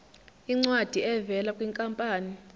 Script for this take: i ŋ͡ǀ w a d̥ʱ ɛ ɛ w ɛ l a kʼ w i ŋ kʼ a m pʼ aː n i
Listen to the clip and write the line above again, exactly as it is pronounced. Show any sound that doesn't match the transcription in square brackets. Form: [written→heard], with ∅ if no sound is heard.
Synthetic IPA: i ŋ͡ǀ w a d̥ʱ [ɛ→i] ɛ [w→v] ɛ l a kʼ w i ŋ kʼ a m pʼ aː n i